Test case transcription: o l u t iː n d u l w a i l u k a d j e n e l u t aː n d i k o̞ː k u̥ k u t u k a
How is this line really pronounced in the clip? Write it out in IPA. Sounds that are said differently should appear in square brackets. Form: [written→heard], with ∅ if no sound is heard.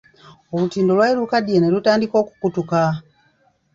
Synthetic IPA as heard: o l u t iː n d [u→o] l w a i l u k a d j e n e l u t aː n d i k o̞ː k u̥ k u t u k a